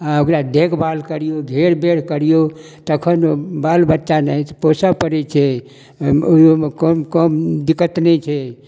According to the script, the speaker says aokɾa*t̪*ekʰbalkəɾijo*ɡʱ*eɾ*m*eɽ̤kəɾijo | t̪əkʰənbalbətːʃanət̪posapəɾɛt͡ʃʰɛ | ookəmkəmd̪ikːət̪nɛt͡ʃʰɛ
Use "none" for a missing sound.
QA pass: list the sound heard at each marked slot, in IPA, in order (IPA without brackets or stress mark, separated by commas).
d̪, ɡʱ, b